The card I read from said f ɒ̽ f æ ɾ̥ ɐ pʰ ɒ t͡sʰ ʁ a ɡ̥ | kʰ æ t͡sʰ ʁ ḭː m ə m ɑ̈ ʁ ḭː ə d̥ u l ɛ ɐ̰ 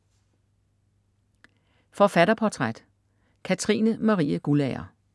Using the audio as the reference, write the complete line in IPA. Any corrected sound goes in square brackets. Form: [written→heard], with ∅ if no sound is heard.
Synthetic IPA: f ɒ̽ f æ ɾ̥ ɐ pʰ ɒ t͡sʰ ʁ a [ɡ̥→d̥] | kʰ æ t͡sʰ ʁ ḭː [m→n] ə m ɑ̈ ʁ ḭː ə [d̥→ɡ̥] u l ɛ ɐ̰